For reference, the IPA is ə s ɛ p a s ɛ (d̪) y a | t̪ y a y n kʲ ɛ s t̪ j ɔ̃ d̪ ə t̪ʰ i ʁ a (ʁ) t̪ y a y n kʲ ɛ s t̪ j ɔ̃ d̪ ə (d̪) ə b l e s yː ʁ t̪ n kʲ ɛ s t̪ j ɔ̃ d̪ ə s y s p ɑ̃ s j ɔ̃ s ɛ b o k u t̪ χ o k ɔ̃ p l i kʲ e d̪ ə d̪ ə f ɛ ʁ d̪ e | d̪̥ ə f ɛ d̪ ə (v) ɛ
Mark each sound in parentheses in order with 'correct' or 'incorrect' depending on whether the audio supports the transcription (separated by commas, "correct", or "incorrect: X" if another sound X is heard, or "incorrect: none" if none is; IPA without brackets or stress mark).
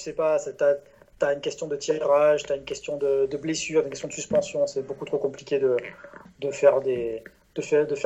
incorrect: t̪, incorrect: ʒ, correct, incorrect: f